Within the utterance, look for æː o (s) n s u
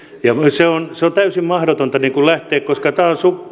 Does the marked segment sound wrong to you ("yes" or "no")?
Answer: yes